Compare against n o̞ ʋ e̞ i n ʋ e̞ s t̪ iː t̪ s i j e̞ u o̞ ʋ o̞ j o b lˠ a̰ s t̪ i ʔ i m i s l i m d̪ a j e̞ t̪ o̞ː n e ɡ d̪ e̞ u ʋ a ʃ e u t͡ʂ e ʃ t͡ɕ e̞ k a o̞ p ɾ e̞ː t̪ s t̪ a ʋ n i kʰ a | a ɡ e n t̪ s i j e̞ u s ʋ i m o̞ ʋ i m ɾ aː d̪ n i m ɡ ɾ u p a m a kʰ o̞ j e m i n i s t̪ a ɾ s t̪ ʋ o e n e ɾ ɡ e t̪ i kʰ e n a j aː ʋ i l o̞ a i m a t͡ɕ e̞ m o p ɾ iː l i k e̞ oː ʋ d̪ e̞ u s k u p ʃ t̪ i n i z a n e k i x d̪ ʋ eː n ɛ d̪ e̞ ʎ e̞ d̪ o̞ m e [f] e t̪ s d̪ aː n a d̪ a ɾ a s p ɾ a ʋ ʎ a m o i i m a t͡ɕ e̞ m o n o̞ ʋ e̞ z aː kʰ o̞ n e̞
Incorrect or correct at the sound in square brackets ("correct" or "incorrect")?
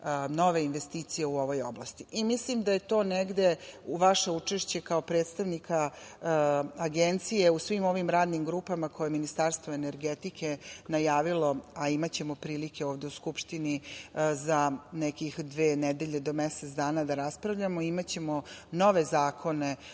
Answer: incorrect